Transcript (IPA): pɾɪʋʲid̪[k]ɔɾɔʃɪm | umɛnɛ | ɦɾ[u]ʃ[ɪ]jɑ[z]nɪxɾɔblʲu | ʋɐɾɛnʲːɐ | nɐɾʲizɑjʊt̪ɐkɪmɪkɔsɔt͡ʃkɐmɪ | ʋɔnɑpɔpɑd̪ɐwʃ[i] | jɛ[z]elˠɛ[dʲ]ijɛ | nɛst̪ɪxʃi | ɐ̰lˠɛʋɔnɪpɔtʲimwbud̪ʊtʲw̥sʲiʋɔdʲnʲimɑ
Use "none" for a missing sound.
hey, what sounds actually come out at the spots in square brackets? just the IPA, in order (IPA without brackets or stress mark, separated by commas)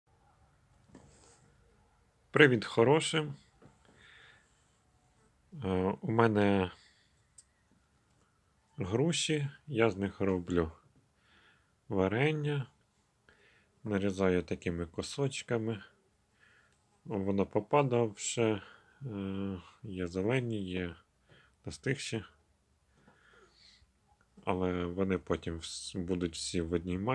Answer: x, u, i, z, ɛ, z, nʲ